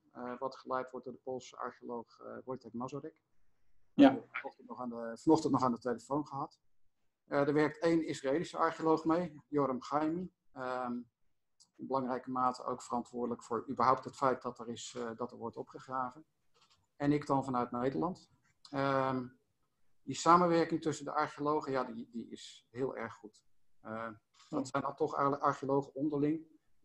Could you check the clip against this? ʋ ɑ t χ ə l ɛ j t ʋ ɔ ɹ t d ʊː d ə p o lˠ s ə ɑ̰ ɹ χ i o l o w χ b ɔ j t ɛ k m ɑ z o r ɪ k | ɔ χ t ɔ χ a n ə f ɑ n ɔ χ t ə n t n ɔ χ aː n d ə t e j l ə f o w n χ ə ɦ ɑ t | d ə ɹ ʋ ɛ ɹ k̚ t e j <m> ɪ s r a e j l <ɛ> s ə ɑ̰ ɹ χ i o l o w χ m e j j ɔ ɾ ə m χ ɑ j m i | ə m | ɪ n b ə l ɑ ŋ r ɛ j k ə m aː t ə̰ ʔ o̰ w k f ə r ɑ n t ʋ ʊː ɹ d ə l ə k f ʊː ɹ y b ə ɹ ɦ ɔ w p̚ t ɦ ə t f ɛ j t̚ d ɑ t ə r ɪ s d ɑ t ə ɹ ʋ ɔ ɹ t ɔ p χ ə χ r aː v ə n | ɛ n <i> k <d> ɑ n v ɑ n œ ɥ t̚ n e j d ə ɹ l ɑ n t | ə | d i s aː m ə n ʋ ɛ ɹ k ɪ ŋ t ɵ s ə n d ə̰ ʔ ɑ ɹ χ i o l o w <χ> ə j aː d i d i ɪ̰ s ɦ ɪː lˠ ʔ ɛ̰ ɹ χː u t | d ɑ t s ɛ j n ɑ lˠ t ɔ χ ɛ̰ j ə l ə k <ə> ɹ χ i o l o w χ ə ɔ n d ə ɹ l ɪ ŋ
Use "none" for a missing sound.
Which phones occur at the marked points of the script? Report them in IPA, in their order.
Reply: n, i, ɪ, d, χ, ɑ

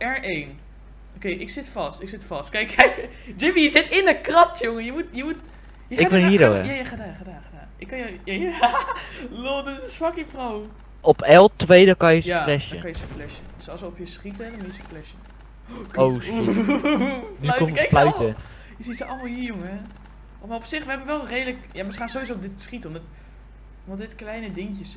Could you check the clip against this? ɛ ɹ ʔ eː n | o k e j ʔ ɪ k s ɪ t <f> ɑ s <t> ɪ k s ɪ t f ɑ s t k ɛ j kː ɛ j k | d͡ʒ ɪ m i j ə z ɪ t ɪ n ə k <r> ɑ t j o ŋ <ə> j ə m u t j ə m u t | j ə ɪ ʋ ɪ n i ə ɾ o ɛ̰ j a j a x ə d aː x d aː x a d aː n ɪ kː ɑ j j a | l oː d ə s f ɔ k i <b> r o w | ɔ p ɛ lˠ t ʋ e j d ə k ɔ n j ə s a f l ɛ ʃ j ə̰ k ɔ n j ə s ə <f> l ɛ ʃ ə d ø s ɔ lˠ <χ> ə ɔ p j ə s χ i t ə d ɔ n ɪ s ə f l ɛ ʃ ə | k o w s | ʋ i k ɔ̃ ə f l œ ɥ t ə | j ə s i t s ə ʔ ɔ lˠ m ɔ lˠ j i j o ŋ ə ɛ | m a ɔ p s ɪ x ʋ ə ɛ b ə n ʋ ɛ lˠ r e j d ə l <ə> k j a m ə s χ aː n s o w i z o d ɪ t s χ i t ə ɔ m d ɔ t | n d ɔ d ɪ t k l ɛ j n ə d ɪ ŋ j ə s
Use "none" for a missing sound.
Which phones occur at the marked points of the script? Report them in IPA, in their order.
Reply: f, t, r, ə, p, f, s, ə

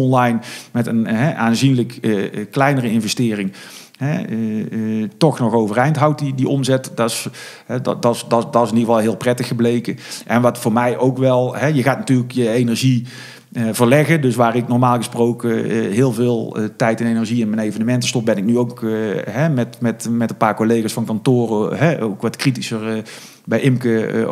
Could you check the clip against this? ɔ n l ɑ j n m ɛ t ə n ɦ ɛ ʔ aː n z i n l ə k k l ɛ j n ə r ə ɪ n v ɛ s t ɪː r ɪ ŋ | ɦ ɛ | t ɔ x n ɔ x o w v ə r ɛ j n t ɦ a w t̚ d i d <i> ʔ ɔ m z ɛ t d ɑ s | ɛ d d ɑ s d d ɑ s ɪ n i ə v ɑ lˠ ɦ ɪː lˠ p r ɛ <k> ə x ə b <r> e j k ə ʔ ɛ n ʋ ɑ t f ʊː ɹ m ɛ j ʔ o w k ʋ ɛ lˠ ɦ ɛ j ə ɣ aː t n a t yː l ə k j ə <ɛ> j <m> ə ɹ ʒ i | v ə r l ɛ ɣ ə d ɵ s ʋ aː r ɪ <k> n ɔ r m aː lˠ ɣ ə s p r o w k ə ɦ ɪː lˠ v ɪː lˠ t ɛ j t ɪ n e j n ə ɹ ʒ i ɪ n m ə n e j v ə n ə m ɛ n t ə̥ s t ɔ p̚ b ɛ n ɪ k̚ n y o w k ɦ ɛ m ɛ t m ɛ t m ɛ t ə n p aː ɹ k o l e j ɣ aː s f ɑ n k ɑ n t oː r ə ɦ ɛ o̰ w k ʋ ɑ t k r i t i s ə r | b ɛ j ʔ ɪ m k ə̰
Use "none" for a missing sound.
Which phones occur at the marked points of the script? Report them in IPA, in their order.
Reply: i, t, l, e, n, k

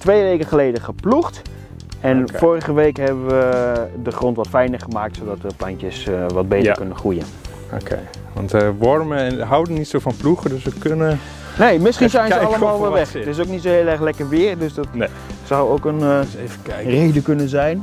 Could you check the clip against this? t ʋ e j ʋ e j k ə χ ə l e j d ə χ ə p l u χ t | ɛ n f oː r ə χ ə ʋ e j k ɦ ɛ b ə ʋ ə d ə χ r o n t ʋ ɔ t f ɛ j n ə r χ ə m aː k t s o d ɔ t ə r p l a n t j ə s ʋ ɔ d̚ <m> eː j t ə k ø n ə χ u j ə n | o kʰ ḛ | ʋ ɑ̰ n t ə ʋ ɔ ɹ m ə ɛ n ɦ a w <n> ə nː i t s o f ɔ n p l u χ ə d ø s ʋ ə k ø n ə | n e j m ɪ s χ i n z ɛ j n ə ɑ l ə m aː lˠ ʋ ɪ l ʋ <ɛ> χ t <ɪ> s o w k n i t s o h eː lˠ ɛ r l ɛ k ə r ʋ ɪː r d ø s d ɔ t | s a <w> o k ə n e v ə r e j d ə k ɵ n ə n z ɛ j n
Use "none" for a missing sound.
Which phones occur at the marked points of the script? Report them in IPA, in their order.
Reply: b, d, ɛ, ɪ, w

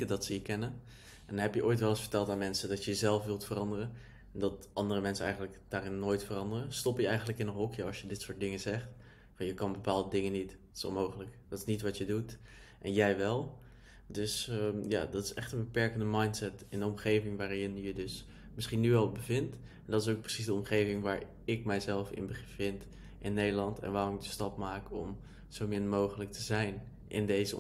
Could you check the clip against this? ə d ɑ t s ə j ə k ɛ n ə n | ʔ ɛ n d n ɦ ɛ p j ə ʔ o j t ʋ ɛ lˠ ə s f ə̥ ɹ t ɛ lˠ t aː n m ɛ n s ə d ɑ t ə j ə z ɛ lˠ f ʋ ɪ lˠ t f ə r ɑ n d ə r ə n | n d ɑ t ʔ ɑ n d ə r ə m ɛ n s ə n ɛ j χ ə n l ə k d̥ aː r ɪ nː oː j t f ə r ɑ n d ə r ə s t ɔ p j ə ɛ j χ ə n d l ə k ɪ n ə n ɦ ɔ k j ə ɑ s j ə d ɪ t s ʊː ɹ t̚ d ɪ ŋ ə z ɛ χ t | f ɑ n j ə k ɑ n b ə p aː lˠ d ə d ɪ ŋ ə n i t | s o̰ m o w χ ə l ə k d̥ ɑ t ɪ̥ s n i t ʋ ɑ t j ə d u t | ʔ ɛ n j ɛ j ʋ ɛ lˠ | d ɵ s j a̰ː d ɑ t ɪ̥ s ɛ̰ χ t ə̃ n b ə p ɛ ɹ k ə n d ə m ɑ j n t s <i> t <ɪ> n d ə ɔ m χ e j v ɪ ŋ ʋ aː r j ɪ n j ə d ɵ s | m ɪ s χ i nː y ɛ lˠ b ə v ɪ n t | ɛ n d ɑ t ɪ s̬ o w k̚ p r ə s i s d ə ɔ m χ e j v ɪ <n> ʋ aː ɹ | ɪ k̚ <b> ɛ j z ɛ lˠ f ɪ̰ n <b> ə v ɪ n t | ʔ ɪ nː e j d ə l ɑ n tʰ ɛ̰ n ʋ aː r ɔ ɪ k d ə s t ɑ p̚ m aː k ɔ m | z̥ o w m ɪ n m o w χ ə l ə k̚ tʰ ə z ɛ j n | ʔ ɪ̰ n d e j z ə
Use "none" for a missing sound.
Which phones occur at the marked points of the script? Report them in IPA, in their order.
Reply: ɛ, ɪ, ŋ, m, b

